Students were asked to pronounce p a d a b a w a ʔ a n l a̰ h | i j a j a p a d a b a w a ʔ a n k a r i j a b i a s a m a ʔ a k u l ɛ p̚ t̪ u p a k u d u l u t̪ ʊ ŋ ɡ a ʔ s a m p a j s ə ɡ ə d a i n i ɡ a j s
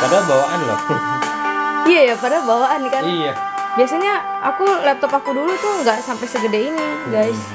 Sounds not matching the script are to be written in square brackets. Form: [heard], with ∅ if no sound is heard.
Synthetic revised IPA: p a d a b a w a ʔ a n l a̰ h | i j a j a p a d a b a w a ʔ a n k a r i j a b i a s a [ɲ] a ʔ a k u l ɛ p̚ t̪ [ɔ] p a k u d u l u t̪ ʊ ŋ ɡ a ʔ s a m p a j s ə ɡ ə d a i n i ɡ a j s

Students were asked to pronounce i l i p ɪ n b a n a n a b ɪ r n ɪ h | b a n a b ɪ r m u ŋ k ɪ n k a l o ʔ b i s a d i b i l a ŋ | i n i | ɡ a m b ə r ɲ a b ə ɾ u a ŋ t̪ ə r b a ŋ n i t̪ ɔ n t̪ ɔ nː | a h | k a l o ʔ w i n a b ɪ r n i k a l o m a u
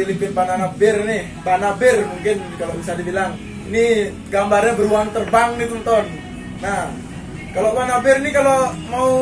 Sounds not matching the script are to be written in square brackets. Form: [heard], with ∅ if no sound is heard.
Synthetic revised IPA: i l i p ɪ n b a n a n a b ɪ r n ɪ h | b a n a b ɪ r m u ŋ k ɪ n k a l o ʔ b i s a d i b i l a ŋ | i n i | ɡ a m b [a] r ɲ a b ə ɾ u a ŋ t̪ ə r b a ŋ n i t̪ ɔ n t̪ ɔ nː | a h | k a l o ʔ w [a] n a b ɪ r n i k a l o m a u

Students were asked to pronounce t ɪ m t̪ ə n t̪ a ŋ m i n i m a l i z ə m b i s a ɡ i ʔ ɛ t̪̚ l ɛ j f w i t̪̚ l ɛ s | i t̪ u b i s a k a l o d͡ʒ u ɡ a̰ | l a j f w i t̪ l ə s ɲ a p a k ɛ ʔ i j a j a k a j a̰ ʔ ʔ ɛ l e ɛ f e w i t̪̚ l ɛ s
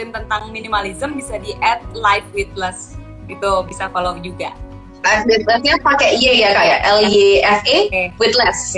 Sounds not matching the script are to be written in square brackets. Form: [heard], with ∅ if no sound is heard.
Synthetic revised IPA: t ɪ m t̪ ə n t̪ a ŋ m i n i m a l i z ə m b i s a [d] i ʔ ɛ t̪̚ l [a] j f w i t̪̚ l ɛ s | i t̪ u b i s a k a l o d͡ʒ u ɡ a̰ | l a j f w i t̪ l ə s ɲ a p a k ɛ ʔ i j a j a k a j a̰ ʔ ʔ ɛ l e ɛ f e w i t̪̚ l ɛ s

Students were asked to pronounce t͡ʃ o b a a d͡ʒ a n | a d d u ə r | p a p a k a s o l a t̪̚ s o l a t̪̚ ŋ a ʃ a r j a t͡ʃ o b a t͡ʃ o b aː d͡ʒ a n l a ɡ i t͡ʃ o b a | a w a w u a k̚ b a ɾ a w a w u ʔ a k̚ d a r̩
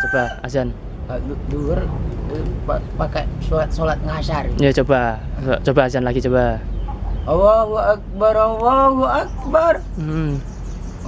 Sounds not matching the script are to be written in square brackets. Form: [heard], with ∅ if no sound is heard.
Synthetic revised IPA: t͡ʃ o b a a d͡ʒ a n | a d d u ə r | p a p a k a s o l a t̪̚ s o l a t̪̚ ŋ a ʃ a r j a t͡ʃ o b a t͡ʃ o b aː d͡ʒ a n l a ɡ i t͡ʃ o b a | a w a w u a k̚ b a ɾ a w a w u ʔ a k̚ [b] a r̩

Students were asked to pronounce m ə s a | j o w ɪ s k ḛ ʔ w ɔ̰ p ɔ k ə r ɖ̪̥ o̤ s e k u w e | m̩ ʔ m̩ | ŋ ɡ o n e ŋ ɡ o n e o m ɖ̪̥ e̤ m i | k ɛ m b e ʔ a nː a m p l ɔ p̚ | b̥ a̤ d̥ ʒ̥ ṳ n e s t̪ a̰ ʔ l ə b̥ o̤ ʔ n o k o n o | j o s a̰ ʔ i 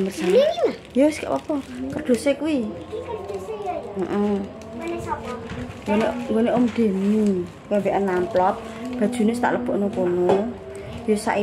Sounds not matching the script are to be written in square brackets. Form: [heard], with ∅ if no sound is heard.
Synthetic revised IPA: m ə s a | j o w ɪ s k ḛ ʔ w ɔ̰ p ɔ k ə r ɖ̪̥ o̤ s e k u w [i] | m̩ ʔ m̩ | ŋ ɡ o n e ŋ ɡ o n e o m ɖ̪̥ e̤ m i | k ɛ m b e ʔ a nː a m p l ɔ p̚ | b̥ a̤ d̥ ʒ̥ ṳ n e s t̪ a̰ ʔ l ə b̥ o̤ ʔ n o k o n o | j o s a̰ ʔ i

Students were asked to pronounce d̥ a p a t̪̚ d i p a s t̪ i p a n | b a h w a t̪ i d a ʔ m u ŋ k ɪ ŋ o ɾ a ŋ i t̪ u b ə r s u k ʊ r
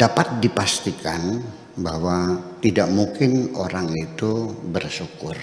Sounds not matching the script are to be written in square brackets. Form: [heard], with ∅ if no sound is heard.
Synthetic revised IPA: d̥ a p a t̪̚ d i p a s t̪ i [k] a n | b a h w a t̪ i d a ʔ m u ŋ k ɪ [n] o ɾ a ŋ i t̪ u b ə r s u k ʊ r

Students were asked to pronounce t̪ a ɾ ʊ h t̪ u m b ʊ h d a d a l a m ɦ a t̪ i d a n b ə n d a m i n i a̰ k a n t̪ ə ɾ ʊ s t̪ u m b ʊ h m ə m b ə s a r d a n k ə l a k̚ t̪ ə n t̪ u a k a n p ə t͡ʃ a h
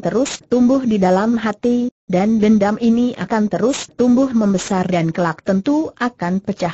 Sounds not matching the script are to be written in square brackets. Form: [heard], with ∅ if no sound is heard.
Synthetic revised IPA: t̪ [ə] ɾ ʊ [s] t̪ u m b ʊ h d [i] d a l a m ɦ a t̪ i d a n b ə n d a m i n i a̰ k a n t̪ ə ɾ ʊ s t̪ u m b ʊ h m ə m b ə s a r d a n k ə l a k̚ t̪ ə n t̪ u a k a n p ə t͡ʃ a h

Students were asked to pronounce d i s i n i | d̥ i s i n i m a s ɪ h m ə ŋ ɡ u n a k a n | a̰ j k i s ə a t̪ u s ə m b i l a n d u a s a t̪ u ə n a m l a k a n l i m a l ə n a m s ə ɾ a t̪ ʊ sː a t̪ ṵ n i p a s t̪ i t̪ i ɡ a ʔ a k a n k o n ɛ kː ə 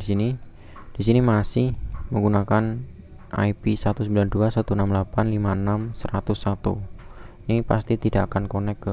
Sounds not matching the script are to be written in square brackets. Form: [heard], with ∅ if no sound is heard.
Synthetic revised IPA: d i s i n i | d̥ i s i n i m a s ɪ h m ə ŋ ɡ u n a k a n | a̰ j [p] i s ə a t̪ u s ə m b i l a n d u a s a t̪ u ə n a m l a [p] a n l i m a [∅] ə n a m s ə ɾ a t̪ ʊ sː a t̪ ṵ n i p a s t̪ i t̪ i [d] a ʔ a k a n k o n ɛ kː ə

